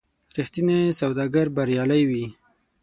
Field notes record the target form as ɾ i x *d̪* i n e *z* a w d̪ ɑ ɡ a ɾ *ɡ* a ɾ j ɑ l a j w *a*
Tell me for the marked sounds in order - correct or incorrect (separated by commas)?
incorrect, incorrect, incorrect, incorrect